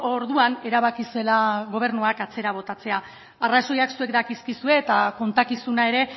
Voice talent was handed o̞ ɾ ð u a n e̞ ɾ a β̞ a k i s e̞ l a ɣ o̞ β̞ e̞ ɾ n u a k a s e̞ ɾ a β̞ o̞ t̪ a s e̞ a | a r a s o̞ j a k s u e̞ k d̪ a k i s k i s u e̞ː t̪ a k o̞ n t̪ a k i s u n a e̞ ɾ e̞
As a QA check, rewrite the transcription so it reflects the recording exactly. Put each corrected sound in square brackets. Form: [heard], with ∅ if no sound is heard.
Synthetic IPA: o̞ ɾ ð u a n e̞ ɾ a β̞ a k i s e̞ l a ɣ o̞ β̞ e̞ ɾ n u a k a [t͡s] e̞ ɾ a β̞ o̞ t̪ a [t͡s] e̞ a | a r a s o̞ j a k s u e̞ k d̪ a k i s k i s u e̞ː t̪ a k o̞ n t̪ a k i s u n a e̞ ɾ e̞